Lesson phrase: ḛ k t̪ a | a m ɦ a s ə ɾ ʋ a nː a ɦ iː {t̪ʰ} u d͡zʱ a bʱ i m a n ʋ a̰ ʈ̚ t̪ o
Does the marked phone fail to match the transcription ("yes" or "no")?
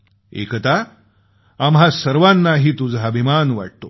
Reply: yes